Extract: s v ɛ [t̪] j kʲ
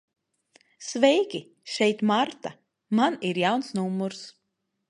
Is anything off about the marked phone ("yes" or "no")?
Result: yes